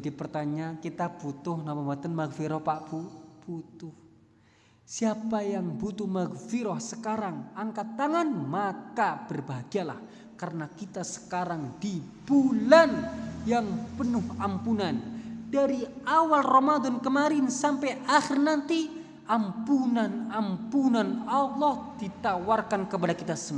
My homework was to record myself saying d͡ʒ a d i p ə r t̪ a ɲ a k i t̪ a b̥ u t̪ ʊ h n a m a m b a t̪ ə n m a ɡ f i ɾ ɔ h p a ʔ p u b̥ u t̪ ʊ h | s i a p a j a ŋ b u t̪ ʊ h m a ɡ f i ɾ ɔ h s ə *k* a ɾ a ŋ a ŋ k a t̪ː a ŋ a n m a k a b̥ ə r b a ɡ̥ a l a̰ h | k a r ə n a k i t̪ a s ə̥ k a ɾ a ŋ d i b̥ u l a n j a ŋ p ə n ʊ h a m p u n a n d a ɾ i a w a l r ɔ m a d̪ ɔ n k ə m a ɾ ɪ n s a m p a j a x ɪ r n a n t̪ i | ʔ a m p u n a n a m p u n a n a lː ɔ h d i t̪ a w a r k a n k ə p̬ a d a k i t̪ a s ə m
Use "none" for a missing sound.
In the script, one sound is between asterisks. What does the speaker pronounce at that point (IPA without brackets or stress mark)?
k